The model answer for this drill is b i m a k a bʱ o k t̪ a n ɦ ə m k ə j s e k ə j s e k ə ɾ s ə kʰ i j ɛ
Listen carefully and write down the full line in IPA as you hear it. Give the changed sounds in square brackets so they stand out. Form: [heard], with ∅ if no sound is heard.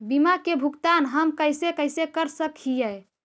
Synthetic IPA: b i m a k [e] bʱ [u] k t̪ a n ɦ ə m k ə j s e k ə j s e k ə ɾ s ə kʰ i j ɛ